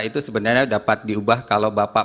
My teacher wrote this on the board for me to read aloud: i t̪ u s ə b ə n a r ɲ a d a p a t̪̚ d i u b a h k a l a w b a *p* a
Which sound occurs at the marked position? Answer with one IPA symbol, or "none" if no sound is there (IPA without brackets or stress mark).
p